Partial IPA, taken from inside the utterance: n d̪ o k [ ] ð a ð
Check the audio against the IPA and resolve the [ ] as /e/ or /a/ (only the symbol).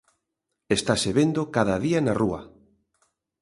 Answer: a